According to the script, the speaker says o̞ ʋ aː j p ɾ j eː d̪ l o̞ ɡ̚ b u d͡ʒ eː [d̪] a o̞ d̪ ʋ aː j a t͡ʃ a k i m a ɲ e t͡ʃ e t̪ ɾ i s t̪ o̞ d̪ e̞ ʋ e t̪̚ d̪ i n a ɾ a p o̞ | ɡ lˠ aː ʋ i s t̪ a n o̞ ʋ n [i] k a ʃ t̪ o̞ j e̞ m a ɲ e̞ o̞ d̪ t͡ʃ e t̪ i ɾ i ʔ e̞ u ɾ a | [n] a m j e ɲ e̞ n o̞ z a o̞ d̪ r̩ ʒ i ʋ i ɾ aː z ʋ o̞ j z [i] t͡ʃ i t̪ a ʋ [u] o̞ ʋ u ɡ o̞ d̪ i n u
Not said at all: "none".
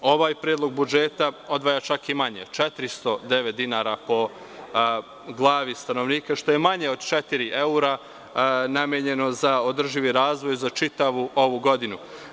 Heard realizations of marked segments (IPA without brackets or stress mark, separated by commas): t̪, iː, n, a, u